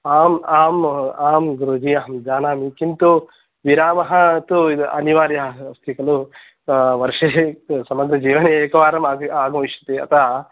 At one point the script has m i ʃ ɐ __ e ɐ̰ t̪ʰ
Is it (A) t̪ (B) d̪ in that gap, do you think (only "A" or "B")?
A